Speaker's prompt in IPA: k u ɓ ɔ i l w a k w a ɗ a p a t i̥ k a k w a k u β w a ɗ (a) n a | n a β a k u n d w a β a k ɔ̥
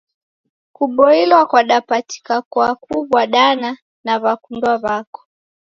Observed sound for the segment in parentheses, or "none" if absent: a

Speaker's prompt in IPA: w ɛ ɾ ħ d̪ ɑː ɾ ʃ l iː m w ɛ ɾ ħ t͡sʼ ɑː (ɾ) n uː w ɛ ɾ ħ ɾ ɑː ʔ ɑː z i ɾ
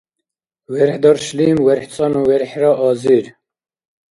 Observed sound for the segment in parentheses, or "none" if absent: none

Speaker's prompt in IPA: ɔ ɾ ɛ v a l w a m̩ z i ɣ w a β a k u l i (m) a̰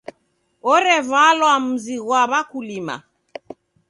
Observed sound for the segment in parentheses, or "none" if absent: m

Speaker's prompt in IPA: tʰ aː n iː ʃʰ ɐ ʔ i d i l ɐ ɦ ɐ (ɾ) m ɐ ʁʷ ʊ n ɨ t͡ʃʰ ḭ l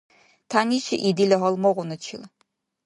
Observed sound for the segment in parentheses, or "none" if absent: l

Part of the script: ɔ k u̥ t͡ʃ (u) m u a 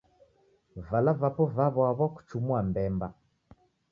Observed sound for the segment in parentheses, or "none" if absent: u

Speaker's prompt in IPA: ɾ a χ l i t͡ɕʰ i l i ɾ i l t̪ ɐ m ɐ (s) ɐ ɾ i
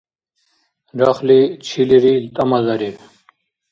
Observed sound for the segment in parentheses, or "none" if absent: z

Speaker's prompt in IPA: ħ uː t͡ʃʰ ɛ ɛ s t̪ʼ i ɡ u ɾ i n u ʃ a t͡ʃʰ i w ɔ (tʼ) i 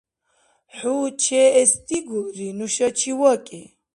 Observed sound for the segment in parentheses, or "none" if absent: kʼ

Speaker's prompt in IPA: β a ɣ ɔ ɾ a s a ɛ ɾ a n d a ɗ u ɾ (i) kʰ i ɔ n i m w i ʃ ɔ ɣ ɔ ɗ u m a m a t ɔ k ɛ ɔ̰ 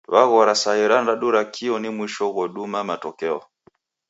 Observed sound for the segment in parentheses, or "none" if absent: a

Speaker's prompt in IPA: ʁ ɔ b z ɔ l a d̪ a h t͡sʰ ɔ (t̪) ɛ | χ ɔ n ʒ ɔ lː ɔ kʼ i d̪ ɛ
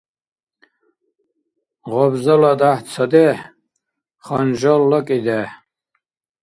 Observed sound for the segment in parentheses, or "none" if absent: d̪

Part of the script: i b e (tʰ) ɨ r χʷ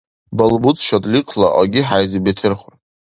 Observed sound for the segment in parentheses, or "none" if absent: tʰ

